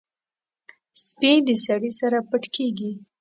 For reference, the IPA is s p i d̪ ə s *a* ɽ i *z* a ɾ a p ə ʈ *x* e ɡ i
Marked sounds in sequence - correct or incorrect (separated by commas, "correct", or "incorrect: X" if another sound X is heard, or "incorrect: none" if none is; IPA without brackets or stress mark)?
correct, incorrect: s, incorrect: k